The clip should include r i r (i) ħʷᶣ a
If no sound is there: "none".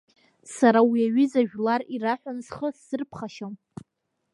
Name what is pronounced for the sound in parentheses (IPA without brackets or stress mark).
a